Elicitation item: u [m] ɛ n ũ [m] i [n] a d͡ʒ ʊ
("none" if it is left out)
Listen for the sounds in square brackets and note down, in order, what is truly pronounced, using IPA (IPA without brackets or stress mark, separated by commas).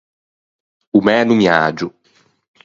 m, m, none